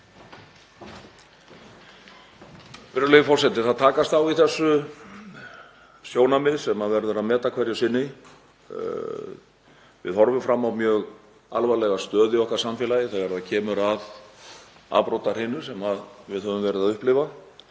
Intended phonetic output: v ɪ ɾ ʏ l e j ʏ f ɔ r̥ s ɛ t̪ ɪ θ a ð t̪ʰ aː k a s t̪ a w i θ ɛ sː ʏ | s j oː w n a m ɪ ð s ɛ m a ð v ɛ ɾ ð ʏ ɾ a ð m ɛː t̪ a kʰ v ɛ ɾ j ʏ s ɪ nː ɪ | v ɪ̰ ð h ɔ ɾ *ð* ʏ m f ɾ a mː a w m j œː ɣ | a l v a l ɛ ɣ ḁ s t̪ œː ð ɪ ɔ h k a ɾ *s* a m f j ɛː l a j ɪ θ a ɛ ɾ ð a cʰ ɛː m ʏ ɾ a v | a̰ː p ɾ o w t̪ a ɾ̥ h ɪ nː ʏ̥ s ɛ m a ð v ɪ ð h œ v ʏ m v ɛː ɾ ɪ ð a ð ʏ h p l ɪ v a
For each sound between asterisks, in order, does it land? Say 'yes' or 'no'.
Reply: no, yes

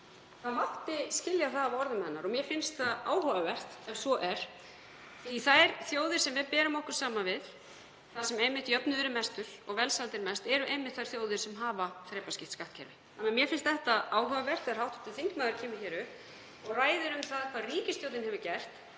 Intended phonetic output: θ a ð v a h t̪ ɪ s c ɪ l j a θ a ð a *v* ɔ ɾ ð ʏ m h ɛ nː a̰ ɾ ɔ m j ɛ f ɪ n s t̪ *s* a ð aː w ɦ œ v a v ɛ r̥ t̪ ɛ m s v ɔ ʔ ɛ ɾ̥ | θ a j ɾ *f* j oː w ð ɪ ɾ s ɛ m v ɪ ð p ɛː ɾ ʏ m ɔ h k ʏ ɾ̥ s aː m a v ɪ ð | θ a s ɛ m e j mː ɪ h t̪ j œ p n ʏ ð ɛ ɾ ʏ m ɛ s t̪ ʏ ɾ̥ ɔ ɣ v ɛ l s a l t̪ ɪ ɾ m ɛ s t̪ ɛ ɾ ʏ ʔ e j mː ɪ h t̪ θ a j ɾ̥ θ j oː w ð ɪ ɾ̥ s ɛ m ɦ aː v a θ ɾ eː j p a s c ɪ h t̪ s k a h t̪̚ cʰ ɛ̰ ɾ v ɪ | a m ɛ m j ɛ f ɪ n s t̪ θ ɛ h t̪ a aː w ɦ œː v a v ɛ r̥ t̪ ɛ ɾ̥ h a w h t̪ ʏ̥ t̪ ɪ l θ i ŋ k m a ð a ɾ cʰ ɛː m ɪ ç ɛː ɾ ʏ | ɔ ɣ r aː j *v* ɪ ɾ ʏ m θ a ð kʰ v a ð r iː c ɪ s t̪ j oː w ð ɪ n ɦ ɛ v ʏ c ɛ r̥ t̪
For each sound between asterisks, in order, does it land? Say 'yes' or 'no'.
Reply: yes, no, no, no

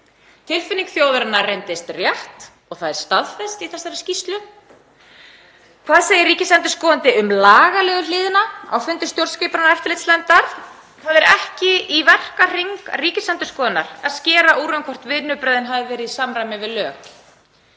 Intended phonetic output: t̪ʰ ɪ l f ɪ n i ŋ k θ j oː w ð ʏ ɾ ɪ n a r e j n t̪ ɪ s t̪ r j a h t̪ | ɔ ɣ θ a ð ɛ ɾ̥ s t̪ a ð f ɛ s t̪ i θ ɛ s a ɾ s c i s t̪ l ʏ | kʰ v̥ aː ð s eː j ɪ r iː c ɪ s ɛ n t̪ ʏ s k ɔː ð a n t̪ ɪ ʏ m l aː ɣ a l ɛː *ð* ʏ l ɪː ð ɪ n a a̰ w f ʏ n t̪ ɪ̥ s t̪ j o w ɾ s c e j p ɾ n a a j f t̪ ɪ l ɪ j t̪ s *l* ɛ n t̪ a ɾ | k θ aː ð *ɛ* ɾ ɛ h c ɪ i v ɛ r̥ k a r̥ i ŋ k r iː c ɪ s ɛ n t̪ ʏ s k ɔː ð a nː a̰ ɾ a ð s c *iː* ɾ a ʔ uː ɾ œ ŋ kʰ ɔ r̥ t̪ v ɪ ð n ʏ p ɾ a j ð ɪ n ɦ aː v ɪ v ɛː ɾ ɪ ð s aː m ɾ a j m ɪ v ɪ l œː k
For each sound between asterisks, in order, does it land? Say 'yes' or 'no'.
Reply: no, yes, yes, no

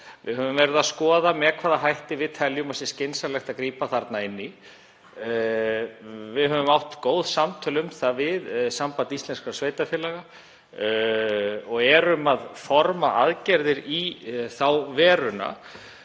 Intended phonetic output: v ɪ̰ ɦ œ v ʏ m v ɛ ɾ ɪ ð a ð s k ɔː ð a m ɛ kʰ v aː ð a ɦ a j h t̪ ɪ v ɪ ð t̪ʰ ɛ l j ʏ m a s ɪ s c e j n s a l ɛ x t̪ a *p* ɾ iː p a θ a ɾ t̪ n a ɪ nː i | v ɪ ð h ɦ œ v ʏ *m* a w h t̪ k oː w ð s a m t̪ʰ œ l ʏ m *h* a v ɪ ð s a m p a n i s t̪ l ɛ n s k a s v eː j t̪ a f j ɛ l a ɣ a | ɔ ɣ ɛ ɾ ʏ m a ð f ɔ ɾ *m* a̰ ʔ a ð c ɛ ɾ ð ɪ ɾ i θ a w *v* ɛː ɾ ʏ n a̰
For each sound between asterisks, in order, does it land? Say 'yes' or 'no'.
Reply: no, yes, no, yes, yes

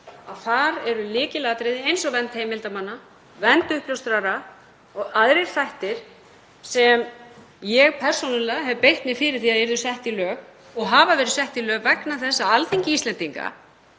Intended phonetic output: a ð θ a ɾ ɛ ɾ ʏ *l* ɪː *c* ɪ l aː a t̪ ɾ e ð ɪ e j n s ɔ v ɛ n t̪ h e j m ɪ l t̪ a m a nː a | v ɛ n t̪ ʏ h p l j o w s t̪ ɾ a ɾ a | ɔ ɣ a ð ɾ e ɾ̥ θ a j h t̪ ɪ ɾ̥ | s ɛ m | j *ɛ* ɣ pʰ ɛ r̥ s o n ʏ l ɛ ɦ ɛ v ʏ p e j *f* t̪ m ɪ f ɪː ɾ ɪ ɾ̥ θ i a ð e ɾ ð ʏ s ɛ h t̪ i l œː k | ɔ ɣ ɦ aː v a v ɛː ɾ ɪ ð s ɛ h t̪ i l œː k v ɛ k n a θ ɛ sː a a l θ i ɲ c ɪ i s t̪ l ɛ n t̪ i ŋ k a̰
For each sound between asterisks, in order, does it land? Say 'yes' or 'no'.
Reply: yes, yes, yes, no

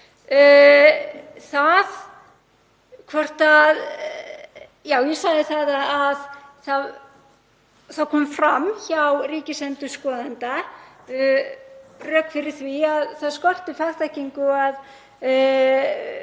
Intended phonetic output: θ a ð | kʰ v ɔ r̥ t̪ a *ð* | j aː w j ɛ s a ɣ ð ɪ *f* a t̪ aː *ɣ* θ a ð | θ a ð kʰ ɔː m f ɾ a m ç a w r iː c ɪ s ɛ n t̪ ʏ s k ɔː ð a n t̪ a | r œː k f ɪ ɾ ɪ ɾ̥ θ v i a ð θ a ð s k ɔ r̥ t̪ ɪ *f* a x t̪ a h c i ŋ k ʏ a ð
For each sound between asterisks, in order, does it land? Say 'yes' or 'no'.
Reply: yes, no, no, yes

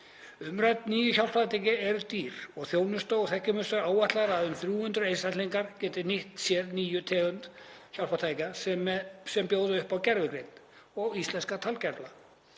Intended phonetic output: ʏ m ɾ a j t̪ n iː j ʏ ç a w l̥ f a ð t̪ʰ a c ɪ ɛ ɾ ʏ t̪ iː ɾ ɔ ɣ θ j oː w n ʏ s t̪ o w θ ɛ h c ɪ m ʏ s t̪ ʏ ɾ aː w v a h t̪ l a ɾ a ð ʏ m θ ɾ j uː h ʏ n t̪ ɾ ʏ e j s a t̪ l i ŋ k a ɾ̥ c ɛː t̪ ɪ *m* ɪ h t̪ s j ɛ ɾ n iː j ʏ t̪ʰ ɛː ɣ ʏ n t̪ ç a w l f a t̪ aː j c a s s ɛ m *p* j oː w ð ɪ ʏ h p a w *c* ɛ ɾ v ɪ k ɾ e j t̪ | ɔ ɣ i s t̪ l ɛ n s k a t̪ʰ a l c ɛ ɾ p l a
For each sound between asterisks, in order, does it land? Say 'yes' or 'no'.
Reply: no, yes, yes

